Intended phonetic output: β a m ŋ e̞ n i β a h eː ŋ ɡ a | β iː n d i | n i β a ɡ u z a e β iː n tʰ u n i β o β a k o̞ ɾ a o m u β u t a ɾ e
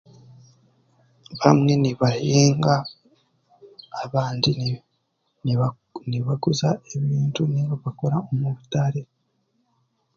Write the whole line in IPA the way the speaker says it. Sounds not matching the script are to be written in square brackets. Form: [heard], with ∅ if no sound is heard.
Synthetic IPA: β a m ŋ e̞ n i β a h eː ŋ ɡ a | β [aː] n d i | n i β a ɡ u z a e β iː n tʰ u n i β o β a k o̞ ɾ a o m u β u t a ɾ e